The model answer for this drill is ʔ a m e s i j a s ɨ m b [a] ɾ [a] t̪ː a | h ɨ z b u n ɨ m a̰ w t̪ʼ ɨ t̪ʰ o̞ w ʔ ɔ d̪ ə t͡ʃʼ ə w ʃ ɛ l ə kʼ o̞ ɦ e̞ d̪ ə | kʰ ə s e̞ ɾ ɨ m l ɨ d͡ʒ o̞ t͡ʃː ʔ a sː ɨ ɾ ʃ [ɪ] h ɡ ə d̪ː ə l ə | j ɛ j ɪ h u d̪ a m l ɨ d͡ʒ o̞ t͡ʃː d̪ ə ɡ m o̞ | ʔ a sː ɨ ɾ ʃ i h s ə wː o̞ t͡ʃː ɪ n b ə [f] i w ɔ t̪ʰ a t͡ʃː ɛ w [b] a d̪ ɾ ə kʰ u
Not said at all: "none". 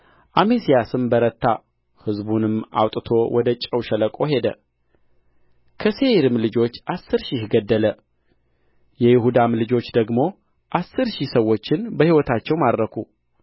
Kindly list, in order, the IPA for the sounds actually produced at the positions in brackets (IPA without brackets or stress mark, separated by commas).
ə, ə, i, h, m